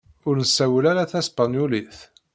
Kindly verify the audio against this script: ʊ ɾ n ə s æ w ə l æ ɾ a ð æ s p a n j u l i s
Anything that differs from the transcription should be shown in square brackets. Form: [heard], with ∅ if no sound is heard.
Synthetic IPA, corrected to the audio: ʊ ɾ n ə s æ w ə l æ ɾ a [θ] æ s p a n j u l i [θ]